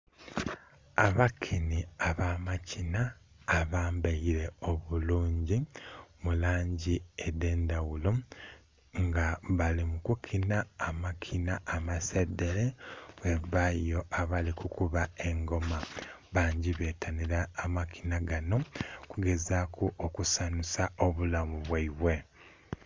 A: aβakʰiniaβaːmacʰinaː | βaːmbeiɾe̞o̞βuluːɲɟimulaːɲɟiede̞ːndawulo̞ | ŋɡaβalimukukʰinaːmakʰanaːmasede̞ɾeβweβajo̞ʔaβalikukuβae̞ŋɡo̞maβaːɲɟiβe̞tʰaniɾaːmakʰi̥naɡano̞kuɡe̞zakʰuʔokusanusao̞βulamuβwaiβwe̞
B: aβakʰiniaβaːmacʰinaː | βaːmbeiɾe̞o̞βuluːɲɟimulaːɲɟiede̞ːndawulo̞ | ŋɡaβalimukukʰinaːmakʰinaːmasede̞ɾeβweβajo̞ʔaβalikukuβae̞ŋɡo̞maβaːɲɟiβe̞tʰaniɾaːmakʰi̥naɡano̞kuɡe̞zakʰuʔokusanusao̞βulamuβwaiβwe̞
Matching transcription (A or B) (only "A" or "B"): B